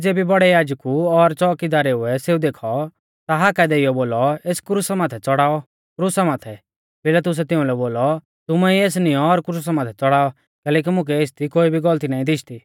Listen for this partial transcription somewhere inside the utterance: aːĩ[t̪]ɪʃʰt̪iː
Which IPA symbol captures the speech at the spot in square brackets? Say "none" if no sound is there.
d̪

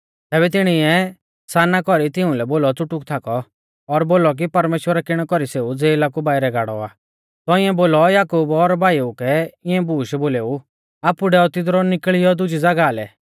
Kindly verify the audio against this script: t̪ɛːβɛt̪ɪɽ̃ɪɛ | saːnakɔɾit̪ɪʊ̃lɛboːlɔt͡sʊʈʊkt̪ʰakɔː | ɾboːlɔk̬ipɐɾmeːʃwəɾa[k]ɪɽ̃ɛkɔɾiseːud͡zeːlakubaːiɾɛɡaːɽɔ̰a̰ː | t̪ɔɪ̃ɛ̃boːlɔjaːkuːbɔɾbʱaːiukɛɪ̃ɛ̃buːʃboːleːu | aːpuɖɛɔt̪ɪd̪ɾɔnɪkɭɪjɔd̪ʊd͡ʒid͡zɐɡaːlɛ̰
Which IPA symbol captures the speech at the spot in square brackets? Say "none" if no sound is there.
k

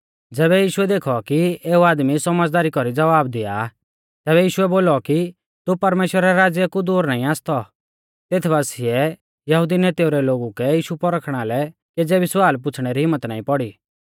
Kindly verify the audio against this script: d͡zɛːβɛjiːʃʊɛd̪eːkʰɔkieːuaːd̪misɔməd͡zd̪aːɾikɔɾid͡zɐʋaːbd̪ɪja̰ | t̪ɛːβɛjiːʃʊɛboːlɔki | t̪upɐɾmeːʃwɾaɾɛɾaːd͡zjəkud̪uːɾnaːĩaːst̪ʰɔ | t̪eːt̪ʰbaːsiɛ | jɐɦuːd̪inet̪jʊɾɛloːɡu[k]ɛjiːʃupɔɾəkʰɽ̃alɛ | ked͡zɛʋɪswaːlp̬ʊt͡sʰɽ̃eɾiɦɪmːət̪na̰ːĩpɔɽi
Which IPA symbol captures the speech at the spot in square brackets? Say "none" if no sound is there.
k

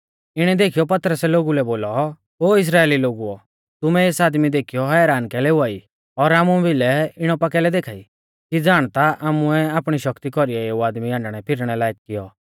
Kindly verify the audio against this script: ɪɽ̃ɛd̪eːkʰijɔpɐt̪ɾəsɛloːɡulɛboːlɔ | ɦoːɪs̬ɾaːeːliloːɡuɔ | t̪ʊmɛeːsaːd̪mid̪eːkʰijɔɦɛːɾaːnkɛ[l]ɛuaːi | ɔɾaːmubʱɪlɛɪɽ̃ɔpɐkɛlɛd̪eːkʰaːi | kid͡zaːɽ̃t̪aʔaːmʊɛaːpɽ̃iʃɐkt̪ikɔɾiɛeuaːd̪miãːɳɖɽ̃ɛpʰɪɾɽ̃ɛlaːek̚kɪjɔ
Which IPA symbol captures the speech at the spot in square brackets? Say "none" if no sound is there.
l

